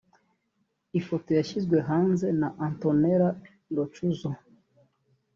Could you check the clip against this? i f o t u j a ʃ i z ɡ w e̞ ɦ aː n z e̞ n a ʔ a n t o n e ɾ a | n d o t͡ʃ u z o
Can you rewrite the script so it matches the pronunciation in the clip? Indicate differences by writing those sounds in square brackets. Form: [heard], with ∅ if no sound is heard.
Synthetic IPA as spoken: i f o t [o] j a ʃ i z ɡ w e̞ ɦ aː n z e̞ n a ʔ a n t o n e ɾ a | n d o t͡ʃ u z o